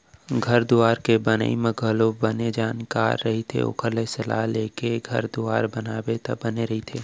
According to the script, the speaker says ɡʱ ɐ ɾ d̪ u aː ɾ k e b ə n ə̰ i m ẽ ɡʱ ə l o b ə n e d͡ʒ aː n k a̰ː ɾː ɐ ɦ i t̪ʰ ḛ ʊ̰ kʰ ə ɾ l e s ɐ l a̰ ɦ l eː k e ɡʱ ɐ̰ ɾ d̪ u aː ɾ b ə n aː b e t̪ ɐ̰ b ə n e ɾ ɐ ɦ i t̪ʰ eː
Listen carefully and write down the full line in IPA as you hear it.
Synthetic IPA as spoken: ɡʱ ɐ ɾ d̪ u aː ɾ k e b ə n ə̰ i m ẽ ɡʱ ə l o b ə n e d͡ʒ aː n k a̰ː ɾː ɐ ɦ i t̪ʰ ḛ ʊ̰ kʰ ə ɾ l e s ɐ l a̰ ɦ l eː k e ɡʱ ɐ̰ ɾ d̪ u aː ɾ b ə n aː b e t̪ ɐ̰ b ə n e ɾ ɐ ɦ i t̪ʰ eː